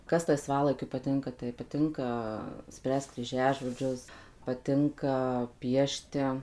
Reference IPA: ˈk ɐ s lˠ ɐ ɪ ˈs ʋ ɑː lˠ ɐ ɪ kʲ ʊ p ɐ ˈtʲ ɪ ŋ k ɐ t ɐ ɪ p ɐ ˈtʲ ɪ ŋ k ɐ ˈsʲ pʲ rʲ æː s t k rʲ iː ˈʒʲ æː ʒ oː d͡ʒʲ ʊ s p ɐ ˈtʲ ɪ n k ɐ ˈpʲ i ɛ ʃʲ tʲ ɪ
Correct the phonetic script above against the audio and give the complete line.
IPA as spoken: ˈk ɐ s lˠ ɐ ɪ ˈs ʋ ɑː lˠ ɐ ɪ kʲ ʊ p ɐ ˈtʲ ɪ ŋ k ɐ t ɐ ɪ p ɐ ˈtʲ ɪ ŋ k ɐ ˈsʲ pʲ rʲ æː s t k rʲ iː ˈʒʲ æː ʒ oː d͡ʒʲ ʊ s p ɐ ˈtʲ ɪ ŋ k ɐ ˈpʲ i ɛ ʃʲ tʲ ɪ